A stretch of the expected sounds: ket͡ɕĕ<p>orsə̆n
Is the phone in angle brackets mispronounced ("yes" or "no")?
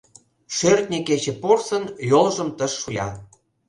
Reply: no